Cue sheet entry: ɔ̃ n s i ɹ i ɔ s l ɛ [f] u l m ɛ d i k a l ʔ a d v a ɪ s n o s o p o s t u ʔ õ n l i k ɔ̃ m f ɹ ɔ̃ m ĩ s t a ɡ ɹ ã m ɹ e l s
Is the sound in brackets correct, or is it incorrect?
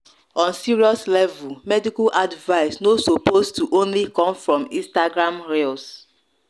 incorrect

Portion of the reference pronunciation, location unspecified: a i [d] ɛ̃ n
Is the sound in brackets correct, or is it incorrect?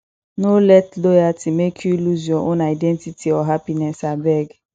correct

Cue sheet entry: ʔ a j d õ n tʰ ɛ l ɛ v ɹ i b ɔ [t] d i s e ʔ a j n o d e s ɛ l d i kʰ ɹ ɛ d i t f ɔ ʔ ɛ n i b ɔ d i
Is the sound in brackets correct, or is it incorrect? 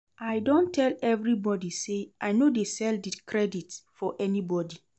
incorrect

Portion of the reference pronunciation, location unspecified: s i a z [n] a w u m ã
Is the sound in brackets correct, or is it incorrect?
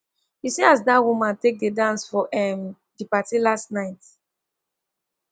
incorrect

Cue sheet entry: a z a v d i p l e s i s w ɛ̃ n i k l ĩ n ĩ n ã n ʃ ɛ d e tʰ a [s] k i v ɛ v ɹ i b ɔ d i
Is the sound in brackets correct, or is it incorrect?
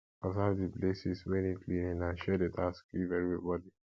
correct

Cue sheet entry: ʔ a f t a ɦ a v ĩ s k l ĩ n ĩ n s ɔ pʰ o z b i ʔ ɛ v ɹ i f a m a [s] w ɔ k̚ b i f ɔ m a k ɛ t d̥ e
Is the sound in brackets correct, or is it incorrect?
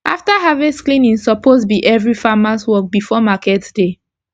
correct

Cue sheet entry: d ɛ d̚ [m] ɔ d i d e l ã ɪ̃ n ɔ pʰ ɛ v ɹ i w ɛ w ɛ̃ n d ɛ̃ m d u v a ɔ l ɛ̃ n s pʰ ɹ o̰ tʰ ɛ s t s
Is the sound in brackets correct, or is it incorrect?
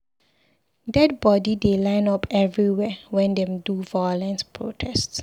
incorrect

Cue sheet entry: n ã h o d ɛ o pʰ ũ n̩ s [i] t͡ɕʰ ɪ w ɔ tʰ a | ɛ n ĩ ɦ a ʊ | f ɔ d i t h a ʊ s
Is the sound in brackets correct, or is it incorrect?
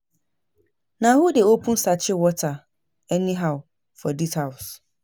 incorrect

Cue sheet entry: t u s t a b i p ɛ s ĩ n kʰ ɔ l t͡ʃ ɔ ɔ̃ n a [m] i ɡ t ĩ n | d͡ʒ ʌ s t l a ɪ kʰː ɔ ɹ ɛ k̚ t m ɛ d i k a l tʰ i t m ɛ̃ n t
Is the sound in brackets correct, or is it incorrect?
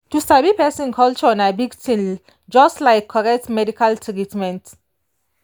incorrect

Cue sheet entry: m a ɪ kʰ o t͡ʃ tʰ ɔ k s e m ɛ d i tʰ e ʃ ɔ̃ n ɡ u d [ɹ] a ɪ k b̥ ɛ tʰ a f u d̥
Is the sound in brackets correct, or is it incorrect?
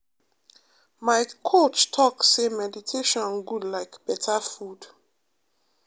incorrect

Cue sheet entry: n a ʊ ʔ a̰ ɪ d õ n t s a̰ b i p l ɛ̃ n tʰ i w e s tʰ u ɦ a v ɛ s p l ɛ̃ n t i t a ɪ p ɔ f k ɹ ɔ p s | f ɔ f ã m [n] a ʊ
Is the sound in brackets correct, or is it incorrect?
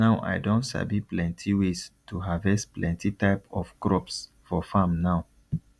correct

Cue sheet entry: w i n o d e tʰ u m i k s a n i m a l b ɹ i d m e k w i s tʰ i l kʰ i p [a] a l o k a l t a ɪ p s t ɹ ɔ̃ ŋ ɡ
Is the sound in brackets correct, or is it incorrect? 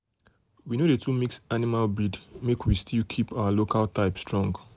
correct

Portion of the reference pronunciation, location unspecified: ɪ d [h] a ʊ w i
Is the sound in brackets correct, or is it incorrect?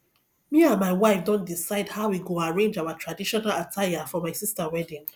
correct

